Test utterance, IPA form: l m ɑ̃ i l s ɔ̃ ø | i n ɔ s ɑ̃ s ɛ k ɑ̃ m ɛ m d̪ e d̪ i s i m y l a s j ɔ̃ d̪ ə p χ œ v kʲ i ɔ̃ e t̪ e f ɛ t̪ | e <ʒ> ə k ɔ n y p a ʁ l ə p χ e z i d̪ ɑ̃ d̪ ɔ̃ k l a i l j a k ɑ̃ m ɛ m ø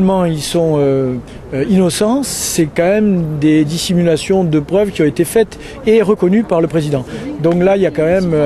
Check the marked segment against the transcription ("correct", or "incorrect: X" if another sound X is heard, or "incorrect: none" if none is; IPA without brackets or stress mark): incorrect: ʁ